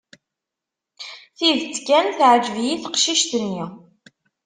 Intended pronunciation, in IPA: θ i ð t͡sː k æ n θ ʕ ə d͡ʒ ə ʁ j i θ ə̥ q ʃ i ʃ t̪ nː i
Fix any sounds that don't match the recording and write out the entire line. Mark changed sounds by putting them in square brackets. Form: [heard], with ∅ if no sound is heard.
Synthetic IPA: θ i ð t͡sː k æ n θ ʕ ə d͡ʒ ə [v] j i θ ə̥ q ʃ i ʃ t̪ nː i